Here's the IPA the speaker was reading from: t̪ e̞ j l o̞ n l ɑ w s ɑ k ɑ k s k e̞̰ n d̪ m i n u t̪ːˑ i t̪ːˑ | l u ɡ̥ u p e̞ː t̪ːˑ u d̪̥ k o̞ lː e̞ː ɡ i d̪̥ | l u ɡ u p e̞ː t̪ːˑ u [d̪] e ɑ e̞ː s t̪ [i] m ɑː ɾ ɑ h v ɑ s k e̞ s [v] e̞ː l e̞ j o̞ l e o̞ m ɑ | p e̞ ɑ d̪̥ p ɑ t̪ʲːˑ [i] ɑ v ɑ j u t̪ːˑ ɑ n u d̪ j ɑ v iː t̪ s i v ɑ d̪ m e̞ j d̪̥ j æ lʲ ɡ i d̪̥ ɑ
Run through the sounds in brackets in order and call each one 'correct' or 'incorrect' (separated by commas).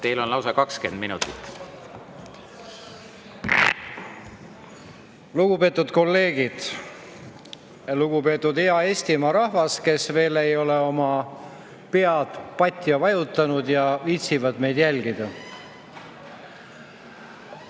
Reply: correct, correct, correct, incorrect